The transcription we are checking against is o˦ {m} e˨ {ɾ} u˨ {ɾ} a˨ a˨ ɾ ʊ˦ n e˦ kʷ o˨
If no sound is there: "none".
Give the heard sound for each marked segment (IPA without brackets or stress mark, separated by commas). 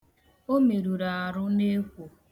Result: m, ɾ, ɾ